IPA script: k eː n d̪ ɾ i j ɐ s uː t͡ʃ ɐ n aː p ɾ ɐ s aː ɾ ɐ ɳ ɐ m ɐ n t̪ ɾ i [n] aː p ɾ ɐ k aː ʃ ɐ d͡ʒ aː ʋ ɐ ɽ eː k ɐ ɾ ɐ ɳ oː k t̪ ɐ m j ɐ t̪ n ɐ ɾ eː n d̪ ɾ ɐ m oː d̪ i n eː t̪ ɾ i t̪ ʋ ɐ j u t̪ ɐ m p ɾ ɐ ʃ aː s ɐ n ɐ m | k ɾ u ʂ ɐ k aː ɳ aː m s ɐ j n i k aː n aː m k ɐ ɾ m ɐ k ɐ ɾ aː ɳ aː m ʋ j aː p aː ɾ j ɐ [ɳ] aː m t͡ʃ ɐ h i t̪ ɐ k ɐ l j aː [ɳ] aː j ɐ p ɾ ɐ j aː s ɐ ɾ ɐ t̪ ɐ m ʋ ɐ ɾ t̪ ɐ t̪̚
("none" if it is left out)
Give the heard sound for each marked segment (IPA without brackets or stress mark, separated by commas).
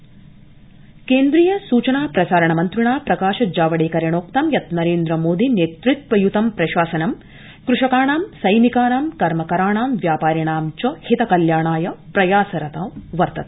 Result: ɳ, ɳ, ɳ